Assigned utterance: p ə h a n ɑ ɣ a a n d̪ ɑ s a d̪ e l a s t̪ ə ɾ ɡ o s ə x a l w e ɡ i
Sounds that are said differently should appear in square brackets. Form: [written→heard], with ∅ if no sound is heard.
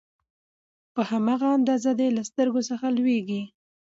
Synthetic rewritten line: p ə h a [n→m] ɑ ɣ a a n d̪ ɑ [s→z] a d̪ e l a s t̪ ə ɾ ɡ o s ə x a l w e ɡ i